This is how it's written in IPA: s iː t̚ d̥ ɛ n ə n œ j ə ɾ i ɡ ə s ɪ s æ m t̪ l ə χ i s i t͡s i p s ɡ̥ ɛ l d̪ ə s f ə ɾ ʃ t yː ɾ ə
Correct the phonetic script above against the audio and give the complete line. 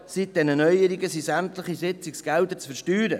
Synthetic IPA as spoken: s i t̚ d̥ ɛ n ə n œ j ə ɾ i ɡ ə s i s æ m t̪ l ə χ i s ɪ t͡s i k s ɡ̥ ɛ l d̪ ə t͡s f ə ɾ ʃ t yː ɾ ə